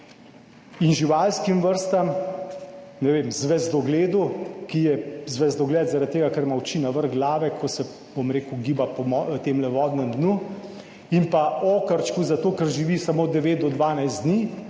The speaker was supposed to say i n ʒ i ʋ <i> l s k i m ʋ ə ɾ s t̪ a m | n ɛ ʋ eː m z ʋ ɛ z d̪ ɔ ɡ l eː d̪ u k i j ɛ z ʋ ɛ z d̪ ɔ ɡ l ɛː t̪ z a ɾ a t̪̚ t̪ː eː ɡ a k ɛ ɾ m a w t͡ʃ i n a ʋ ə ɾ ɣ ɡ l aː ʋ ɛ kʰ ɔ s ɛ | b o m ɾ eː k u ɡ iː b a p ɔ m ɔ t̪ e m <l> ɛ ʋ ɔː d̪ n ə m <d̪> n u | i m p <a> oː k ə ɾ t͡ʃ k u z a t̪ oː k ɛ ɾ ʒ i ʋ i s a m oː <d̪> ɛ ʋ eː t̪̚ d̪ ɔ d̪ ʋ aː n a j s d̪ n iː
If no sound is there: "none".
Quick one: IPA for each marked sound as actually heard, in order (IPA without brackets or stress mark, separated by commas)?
a, l, d̪, a, d̪